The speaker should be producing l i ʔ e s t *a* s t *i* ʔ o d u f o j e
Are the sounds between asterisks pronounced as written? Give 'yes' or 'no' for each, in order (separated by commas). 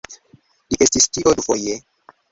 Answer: no, yes